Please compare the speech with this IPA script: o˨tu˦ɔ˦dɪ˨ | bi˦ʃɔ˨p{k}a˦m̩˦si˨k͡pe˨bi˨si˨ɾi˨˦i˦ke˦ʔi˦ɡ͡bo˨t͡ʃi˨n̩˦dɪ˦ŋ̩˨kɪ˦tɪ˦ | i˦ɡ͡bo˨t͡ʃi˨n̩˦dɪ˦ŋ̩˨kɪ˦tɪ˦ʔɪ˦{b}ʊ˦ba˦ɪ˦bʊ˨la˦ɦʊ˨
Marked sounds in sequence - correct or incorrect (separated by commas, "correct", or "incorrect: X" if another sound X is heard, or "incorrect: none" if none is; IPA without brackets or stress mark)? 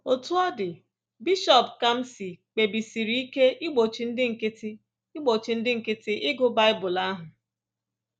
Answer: correct, incorrect: ɡ